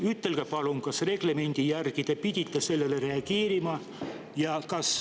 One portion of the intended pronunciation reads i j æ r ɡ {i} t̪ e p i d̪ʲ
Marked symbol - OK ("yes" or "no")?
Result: yes